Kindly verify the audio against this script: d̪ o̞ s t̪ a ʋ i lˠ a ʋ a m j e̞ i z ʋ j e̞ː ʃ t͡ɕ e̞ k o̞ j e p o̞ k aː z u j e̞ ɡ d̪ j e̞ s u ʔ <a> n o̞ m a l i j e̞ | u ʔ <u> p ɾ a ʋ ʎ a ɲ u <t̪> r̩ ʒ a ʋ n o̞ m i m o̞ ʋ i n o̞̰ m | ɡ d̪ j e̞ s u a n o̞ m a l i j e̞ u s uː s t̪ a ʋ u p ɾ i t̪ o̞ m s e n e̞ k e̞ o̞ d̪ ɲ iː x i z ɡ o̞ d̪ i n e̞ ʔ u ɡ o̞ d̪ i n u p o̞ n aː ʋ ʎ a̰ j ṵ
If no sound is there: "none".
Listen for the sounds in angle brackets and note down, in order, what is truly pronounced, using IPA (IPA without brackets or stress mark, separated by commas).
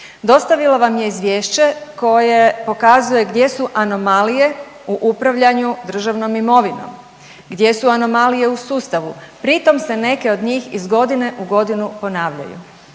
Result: a, u, d̪